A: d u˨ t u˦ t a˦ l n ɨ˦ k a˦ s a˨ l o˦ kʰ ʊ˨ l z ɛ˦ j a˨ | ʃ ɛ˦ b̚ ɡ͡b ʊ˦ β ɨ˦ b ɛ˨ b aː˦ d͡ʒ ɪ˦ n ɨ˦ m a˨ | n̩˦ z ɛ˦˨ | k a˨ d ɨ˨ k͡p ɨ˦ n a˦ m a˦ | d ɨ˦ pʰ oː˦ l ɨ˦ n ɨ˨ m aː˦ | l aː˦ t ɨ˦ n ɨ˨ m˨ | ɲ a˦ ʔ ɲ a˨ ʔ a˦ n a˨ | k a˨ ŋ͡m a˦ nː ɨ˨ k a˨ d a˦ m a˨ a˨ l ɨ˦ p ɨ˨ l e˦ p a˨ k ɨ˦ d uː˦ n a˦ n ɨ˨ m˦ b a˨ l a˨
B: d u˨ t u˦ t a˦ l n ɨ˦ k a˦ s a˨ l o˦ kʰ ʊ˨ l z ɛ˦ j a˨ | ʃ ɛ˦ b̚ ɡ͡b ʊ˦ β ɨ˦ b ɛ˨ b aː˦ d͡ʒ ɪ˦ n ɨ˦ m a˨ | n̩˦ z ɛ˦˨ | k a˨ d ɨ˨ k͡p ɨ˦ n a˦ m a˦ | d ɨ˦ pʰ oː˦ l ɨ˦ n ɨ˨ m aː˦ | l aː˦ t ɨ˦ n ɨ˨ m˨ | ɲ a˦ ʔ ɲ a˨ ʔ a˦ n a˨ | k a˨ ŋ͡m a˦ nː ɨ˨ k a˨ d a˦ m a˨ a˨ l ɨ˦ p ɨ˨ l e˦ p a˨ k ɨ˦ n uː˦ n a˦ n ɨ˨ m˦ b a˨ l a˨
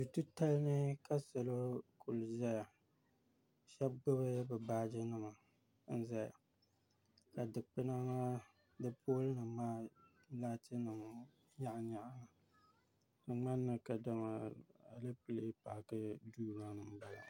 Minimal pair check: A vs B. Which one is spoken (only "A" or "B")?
A